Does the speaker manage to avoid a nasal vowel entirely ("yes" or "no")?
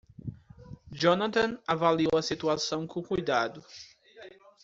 no